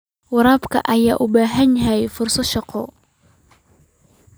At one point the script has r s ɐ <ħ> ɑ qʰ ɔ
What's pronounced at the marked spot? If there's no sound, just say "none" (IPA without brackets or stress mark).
ʃ